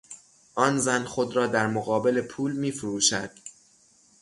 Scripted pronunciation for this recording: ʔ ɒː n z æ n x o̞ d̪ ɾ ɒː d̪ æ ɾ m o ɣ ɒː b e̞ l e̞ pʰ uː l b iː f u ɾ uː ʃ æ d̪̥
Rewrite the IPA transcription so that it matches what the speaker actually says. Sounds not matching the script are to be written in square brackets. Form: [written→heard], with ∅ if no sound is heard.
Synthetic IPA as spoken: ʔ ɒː n z æ n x o̞ d̪ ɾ ɒː d̪ æ ɾ m o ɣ ɒː b e̞ l e̞ pʰ uː l [b→m] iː f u ɾ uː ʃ æ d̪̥